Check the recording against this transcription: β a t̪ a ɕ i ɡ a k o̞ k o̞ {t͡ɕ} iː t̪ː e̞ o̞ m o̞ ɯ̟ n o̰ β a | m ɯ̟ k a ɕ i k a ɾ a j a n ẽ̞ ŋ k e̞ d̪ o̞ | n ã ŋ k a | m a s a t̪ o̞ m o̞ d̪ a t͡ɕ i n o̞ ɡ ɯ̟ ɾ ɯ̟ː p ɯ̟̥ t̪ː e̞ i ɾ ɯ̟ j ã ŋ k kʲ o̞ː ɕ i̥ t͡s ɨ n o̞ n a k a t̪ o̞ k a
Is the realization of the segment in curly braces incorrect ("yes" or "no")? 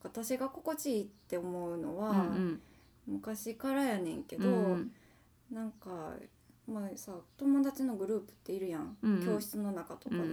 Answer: no